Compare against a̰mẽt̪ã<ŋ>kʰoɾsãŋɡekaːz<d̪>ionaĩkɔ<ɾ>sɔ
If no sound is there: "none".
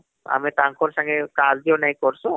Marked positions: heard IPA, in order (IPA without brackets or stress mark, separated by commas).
ŋ, d̪, ɾ